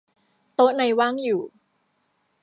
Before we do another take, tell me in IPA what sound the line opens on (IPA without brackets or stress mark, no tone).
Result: t̪